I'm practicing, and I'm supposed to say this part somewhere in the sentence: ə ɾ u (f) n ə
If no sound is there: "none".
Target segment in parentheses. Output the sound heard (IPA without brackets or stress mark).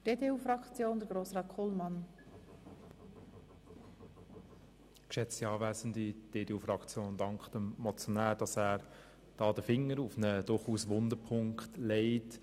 f